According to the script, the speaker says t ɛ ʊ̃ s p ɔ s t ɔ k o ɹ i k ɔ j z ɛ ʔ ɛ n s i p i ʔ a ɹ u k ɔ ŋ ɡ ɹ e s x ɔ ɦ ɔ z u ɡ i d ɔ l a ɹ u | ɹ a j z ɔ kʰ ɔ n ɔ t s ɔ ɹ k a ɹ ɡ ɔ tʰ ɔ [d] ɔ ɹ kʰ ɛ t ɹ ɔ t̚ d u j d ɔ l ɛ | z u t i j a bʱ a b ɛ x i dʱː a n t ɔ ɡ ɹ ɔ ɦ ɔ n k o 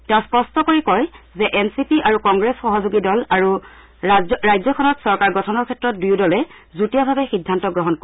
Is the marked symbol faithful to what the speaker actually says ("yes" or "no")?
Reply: no